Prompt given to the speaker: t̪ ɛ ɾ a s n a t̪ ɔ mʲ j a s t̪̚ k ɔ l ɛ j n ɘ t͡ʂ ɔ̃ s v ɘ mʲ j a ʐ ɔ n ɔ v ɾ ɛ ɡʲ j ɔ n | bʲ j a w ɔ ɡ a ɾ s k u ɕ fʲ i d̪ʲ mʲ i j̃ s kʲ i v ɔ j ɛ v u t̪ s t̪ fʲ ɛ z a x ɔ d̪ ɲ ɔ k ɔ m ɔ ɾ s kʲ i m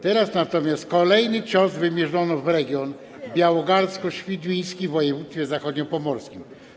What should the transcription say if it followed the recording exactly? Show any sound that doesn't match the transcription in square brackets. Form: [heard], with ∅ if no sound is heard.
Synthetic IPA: t̪ ɛ ɾ a s n a t̪ ɔ mʲ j a s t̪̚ k ɔ l ɛ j n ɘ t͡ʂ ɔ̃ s v ɘ mʲ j [ɛ] ʐ ɔ n ɔ v ɾ ɛ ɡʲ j ɔ n | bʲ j a w ɔ ɡ a ɾ s k [ɔ] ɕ fʲ i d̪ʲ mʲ i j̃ s kʲ i v ɔ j ɛ v u t̪ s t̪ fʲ ɛ z a x ɔ d̪ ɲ ɔ [p] ɔ m ɔ ɾ s kʲ i m